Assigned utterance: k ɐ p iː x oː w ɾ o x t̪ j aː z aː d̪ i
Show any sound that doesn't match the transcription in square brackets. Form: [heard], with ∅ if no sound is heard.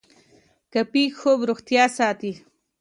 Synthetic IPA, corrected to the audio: k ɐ p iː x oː [b] ɾ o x t̪ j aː [s] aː [t̪] i